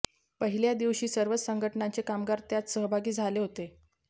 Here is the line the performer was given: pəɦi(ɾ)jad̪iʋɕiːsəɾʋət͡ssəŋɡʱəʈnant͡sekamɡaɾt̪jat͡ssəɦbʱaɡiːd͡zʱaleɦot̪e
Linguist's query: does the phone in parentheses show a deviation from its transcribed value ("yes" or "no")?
yes